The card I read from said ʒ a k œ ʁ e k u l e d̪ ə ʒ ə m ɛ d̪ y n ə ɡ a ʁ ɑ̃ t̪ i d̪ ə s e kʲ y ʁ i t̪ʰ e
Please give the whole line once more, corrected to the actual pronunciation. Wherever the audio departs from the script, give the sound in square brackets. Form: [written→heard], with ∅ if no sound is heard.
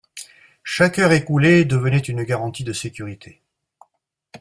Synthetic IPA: [ʒ→ʃ] a k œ ʁ e k u l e d̪ ə [ʒ→v] ə [m→n] ɛ [d̪→t̪] y n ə ɡ a ʁ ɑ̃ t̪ i d̪ ə s e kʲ y ʁ i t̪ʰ e